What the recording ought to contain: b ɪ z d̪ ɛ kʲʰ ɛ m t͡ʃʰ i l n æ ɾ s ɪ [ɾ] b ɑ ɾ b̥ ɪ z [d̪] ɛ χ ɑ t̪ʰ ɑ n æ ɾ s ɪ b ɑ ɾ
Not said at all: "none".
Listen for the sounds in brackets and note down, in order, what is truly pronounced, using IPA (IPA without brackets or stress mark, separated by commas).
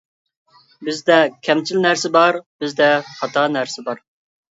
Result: none, d̪